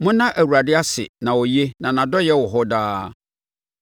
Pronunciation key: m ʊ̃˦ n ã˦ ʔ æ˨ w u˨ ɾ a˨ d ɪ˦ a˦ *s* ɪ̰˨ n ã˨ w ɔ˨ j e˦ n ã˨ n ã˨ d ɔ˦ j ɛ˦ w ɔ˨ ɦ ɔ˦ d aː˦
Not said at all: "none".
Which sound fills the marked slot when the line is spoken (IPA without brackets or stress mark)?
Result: s